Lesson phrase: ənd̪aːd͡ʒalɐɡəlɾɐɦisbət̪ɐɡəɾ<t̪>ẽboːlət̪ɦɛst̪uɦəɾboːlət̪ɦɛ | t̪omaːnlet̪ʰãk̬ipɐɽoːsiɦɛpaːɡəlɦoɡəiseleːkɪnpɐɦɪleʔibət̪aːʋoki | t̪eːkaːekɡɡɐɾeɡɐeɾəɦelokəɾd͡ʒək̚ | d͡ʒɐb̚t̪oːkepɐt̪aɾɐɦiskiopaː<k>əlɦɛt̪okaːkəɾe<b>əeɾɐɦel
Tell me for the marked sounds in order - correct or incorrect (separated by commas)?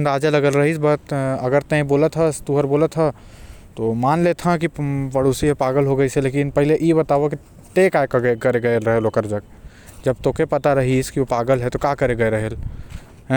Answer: correct, incorrect, incorrect